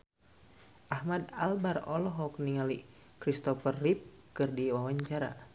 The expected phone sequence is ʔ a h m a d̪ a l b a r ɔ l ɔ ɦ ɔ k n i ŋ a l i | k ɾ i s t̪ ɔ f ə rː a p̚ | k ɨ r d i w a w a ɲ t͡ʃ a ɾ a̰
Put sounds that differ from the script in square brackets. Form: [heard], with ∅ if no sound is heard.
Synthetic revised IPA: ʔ a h m a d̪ a l b a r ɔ l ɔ ɦ ɔ k n i ŋ a l i | k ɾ i s t̪ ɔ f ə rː [i] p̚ | k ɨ r d i w a w a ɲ t͡ʃ a ɾ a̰